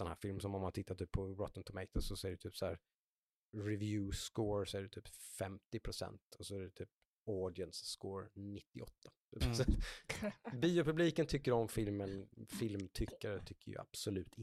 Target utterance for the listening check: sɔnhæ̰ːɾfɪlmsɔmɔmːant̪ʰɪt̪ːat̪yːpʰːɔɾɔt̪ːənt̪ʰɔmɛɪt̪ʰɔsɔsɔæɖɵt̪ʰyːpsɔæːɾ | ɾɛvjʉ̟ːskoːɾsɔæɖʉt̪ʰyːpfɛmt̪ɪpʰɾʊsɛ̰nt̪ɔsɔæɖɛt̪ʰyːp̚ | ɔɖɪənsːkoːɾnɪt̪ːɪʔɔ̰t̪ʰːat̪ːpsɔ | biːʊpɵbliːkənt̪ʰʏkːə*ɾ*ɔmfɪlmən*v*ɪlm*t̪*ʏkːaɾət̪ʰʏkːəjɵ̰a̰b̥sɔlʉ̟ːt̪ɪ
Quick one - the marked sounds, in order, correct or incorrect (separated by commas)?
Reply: correct, incorrect, incorrect